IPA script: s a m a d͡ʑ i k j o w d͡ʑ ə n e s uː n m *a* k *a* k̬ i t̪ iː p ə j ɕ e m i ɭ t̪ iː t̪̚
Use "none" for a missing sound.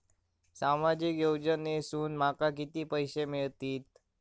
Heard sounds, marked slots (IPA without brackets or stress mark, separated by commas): a, a